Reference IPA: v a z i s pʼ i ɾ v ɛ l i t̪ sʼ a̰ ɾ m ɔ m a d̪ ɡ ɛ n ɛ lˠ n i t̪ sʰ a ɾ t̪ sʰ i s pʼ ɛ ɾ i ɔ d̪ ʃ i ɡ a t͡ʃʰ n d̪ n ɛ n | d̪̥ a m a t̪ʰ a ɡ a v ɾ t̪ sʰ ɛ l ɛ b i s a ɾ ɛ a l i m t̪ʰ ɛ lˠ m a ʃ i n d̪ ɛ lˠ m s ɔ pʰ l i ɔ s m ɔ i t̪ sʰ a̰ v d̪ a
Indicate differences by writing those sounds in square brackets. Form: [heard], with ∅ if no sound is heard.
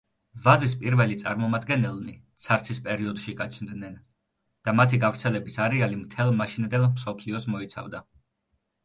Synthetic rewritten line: v a z i s pʼ i ɾ v ɛ l i t̪ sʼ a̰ ɾ m ɔ m a d̪ ɡ ɛ n ɛ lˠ n i t̪ sʰ a ɾ t̪ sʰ i s pʼ ɛ ɾ i ɔ d̪ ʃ i ɡ a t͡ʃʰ n d̪ n ɛ n | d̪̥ a m a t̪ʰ [i] ɡ a v ɾ t̪ sʰ ɛ l ɛ b i s a ɾ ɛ a l i m t̪ʰ ɛ lˠ m a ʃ i n d̪ ɛ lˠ m s ɔ pʰ l i ɔ s m ɔ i t̪ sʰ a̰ v d̪ a